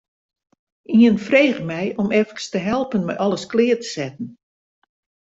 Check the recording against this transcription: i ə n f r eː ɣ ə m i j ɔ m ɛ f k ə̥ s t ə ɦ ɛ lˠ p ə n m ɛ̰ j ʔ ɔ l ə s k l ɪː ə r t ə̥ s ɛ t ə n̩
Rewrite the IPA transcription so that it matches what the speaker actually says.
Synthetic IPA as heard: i ə n f r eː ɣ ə m ɛ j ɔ m ɛ f k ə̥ s t ə ɦ ɛ lˠ p ə n m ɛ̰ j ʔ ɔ l ə s k l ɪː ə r t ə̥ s ɛ t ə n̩

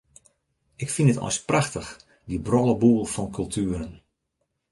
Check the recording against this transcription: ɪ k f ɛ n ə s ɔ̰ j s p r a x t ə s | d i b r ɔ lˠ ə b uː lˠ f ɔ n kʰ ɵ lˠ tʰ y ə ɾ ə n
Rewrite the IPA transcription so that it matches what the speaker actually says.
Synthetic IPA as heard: ɪ k f i n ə t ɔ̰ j s p r a x t ə x | d i b r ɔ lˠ ə b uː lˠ f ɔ n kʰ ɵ lˠ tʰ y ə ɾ ə n

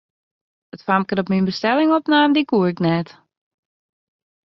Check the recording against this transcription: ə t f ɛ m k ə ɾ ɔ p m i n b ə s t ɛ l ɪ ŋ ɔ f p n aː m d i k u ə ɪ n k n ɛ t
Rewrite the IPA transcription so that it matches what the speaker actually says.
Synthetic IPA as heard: ə t f a m k ə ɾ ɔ p m i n b ə s t ɛ l ɪ ŋ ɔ p n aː m d i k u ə ɪ k n ɛ t

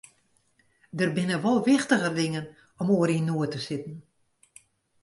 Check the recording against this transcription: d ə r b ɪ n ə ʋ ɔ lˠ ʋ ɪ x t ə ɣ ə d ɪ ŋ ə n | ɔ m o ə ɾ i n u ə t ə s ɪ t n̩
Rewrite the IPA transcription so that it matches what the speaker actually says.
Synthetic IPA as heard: d ə r b ɪ n ə ʋ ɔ lˠ ʋ ɪ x t ə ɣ ə d ɪ ŋ ə n | ɔ m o ə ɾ i n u ə t ə s ɪ t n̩

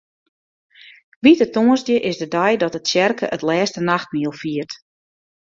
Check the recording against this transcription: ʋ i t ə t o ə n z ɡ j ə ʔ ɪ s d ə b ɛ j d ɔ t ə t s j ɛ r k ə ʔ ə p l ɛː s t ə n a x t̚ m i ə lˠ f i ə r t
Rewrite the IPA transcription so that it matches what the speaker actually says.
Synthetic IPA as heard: ʋ i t ə t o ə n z d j ə ʔ ɪ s d ə d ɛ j d ɔ t ə t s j ɛ r k ə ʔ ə t l ɛː s t ə n a x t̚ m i ə lˠ f i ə r t

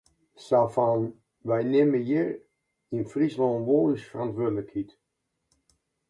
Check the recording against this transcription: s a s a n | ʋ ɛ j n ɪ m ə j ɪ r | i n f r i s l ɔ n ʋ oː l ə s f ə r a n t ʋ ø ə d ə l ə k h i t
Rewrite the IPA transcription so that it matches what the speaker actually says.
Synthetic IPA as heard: s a f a n | ʋ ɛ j n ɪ m ə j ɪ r | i n f r i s l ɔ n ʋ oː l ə s f ə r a n t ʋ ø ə d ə l ə k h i t

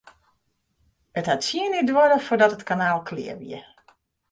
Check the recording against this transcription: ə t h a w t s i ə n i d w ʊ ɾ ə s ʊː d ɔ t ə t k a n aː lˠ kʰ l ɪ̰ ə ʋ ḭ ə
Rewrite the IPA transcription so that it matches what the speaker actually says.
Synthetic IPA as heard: ə t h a t s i ə n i d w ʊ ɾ ə f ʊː d ɔ t ə t k a n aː lˠ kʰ l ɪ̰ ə ʋ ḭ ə

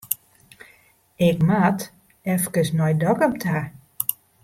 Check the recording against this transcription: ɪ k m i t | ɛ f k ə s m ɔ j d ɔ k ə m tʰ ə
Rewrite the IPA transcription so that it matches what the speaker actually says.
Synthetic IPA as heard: ɪ k m a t | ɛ f k ə s n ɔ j d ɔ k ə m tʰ a

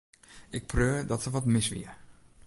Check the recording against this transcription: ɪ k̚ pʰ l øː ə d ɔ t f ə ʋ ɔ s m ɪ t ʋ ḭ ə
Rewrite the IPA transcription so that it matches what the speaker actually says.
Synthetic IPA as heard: ɪ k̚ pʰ r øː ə d ɔ t s ə ʋ ɔ t m ɪ s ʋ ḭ ə

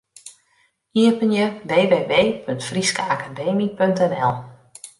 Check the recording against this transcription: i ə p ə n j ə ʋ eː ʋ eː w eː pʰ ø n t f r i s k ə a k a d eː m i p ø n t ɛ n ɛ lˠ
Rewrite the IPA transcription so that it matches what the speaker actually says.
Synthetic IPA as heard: i ə p ə n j ə ʋ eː ʋ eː ʋ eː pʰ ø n t f r i s k ə a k a d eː m i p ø n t ɛ n ɛ lˠ

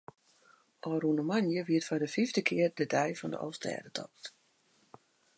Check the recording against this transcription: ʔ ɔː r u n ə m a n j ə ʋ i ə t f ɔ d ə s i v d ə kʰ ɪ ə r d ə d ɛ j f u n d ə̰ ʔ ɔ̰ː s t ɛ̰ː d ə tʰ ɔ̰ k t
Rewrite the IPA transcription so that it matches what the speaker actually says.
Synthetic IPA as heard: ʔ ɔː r u n ə m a n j ə ʋ i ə t f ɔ d ə f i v d ə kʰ ɪ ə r d ə d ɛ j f ɔ n d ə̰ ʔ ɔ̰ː s t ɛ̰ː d ə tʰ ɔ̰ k t

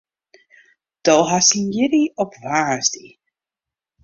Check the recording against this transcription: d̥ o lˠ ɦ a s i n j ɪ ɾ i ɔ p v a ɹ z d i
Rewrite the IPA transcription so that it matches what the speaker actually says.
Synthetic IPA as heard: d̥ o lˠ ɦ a s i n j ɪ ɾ i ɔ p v a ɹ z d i

